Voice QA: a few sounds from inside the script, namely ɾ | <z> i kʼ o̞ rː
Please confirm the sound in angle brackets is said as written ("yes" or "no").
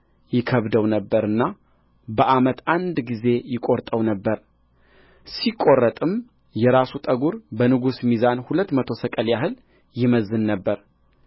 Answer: no